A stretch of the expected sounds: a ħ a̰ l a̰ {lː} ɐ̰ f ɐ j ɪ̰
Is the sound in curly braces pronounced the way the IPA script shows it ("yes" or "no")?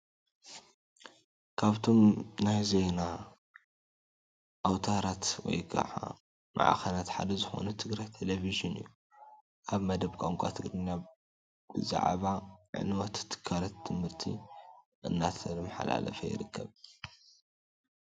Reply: no